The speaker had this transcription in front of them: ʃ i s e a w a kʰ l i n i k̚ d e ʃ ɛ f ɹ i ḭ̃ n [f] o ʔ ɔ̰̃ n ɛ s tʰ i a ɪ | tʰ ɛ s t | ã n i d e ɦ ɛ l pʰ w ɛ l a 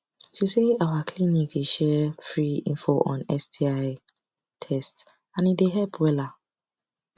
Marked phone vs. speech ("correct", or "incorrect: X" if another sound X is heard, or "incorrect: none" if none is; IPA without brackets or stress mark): correct